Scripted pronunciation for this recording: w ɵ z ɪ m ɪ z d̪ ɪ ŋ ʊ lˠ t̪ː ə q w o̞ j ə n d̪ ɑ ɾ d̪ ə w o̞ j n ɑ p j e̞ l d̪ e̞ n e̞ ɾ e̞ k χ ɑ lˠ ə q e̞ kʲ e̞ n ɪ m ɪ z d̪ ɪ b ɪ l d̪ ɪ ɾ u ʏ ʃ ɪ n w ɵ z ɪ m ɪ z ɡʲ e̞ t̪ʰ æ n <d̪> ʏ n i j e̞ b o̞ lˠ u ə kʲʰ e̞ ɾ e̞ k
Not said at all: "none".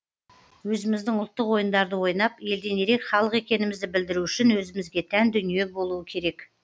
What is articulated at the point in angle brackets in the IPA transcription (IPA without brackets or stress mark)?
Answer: d̪